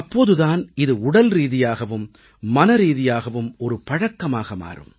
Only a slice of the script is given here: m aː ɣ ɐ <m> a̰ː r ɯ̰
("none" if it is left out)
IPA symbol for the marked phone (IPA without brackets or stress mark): m